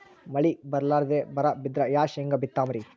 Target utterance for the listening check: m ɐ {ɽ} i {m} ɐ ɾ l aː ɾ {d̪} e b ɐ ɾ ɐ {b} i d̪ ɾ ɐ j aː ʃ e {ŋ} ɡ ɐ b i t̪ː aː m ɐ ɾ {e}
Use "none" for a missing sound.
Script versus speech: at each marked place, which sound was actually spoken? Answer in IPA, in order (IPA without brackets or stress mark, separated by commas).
ɭ, b, d̪, b, ŋ, i